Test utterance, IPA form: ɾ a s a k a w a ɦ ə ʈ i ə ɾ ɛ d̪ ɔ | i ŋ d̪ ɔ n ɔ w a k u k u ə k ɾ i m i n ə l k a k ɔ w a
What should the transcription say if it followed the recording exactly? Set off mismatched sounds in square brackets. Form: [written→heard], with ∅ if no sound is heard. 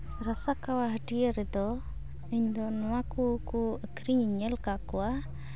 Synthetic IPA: ɾ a s a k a w a ɦ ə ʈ i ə ɾ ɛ d̪ ɔ | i [ŋ→ɲ] d̪ ɔ n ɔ w a k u k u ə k ɾ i [m→ɲ] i [n→ɲ] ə l k a k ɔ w a